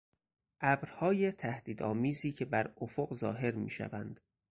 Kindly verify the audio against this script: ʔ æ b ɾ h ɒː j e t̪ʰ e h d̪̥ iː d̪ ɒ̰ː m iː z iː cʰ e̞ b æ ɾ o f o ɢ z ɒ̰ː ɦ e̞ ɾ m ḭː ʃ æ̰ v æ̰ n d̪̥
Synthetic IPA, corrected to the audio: ʔ æ b ɾ h ɒː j e t̪ʰ æ h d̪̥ iː d̪ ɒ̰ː m iː z iː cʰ e̞ b æ ɾ o f o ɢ z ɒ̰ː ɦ e̞ ɾ m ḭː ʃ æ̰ v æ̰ n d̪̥